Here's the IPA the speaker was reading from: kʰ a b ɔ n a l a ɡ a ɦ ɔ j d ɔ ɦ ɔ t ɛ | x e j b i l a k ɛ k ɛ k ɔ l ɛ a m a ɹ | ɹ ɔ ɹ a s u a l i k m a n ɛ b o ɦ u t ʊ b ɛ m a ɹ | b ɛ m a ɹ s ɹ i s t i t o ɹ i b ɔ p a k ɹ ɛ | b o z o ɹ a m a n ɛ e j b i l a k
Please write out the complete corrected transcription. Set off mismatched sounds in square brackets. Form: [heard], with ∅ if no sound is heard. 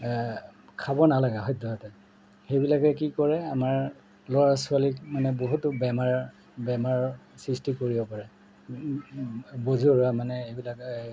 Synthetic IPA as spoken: kʰ a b ɔ n a l a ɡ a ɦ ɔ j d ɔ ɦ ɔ t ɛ | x e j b i l a k ɛ k [i] k ɔ [ɹ] ɛ a m a ɹ | [l] ɔ ɹ a s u a l i k m a n ɛ b o ɦ u t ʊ b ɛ m a ɹ | b ɛ m a ɹ s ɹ i s t i [k] o ɹ i b ɔ p a [∅] ɹ ɛ | b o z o ɹ a m a n ɛ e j b i l a k